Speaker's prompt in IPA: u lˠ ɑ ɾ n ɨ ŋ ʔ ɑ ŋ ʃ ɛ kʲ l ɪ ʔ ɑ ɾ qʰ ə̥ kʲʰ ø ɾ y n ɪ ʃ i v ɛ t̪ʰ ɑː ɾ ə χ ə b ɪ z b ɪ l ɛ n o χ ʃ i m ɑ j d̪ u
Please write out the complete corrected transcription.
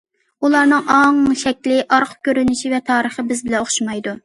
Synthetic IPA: u lˠ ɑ ɾ n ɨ ŋ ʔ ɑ ŋ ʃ ɛ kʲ l ɪ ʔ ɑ ɾ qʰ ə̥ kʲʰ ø ɾ y n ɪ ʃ i v ɛ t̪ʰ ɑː ɾ ə χ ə b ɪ z b ɪ l ɛ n o χ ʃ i m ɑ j d̪ u